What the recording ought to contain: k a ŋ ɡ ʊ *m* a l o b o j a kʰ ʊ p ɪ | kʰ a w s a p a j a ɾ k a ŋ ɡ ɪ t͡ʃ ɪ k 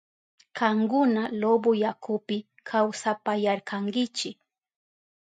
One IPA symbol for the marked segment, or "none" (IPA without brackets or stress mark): n